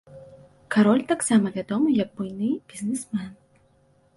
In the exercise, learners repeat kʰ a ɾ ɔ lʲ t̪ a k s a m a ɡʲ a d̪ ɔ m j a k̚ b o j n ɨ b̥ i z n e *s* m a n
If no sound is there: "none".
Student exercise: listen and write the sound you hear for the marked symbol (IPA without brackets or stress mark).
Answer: s